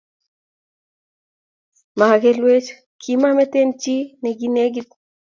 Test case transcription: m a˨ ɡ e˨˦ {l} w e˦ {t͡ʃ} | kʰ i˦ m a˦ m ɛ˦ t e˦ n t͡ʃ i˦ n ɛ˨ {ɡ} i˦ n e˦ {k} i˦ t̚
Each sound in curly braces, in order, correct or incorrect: correct, correct, correct, incorrect: ɡ

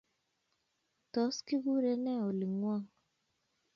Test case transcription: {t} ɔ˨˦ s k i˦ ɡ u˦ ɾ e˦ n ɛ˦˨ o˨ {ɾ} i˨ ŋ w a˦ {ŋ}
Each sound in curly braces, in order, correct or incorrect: correct, incorrect: l, correct

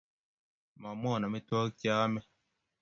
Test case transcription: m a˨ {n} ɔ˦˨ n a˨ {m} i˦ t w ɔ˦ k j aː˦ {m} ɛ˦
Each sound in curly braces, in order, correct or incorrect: incorrect: m, correct, correct

